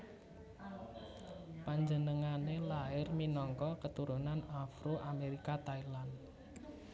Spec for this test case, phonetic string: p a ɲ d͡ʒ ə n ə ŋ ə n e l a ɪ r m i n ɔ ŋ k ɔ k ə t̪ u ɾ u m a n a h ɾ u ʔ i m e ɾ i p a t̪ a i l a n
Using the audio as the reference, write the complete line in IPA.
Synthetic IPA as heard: p a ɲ d͡ʒ ə n ə ŋ a n e l a ɪ r m i n ɔ ŋ k ɔ k ə t̪ u ɾ u n a n a f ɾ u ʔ a m e ɾ i k a t̪ a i l a n